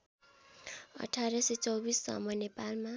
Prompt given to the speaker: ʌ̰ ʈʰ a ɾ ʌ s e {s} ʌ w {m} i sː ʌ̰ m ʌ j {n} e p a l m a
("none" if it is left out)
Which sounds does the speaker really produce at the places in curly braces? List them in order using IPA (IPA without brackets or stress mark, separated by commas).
t͡s, b, n